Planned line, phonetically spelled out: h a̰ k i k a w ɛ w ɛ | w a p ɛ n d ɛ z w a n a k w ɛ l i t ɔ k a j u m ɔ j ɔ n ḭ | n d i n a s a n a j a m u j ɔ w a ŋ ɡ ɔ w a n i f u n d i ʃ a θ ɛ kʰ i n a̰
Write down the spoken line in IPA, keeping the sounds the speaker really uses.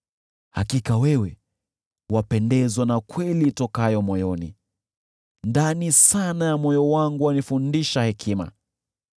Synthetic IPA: h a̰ k i k a w ɛ w ɛ | w a p ɛ n d ɛ z w a n a k w ɛ l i t ɔ k a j ɔ m ɔ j ɔ n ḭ | n d a n i s a n a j a m ɔ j ɔ w a ŋ ɡ u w a n i f u n d i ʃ a h ɛ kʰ i m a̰